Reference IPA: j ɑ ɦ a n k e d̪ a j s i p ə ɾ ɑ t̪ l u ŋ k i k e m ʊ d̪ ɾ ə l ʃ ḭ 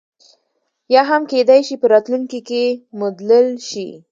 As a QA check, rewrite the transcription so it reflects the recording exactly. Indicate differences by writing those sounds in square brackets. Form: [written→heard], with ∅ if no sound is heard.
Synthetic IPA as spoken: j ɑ ɦ a [n→m] k e d̪ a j [s→ʃ] i p ə ɾ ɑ t̪ l u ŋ k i k e m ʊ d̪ [ɾ→l] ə l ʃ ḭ